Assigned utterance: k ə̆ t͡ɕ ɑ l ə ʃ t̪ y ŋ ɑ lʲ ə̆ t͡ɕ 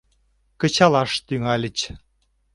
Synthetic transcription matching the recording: k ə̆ t͡ɕ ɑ l ɑ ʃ t̪ y ŋ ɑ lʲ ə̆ t͡ɕ